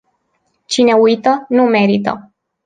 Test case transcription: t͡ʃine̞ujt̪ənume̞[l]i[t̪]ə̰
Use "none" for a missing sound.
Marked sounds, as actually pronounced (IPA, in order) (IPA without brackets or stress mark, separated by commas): ɾ, t̪